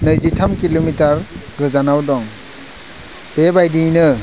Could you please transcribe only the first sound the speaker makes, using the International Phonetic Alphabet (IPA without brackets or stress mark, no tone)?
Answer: n